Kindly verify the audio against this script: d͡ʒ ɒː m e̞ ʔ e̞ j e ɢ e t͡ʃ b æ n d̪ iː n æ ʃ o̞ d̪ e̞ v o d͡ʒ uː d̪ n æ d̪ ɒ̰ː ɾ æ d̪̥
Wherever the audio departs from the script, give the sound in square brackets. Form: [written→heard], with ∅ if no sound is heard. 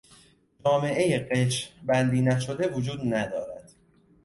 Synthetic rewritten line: d͡ʒ ɒː m e̞ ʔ e̞ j e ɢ e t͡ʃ b æ n d̪ iː n æ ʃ o̞ d̪ e̞ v o d͡ʒ uː d̪ n æ d̪ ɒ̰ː ɾ æ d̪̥